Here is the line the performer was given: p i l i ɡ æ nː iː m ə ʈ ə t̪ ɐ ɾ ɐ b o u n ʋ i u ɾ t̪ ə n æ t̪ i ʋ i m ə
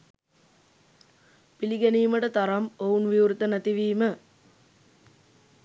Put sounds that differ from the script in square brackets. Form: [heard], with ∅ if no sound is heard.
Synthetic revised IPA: p i l i ɡ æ [n] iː m ə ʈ ə t̪ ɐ ɾ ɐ [m] o u n ʋ i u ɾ t̪ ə n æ t̪ i ʋ [iː] m ə